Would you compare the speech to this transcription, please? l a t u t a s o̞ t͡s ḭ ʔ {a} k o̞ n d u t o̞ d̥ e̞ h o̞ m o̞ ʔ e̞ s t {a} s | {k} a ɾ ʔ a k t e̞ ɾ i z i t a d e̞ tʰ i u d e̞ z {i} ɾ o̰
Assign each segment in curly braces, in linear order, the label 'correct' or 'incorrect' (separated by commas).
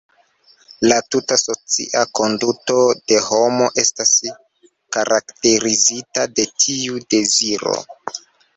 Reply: correct, correct, correct, correct